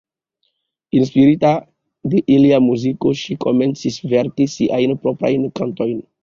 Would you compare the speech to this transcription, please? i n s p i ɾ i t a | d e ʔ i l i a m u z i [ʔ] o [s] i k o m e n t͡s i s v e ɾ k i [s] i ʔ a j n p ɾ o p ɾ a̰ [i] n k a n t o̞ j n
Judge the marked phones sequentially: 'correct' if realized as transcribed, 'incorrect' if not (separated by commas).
incorrect, incorrect, correct, incorrect